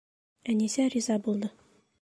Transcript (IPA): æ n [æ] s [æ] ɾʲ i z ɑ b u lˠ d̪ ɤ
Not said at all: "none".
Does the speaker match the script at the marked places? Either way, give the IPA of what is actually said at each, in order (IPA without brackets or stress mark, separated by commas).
i, æ